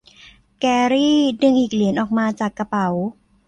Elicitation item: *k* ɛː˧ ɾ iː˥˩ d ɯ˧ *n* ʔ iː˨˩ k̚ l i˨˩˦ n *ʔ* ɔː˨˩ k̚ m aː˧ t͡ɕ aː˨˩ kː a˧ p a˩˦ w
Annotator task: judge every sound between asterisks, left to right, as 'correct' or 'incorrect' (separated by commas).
correct, incorrect, correct